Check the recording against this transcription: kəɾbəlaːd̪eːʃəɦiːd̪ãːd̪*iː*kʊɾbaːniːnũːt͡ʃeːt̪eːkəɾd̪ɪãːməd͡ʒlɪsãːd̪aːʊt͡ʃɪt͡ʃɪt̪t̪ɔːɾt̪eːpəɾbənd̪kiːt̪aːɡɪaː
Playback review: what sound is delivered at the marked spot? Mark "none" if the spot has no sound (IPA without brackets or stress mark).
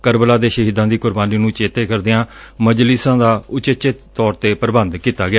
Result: iː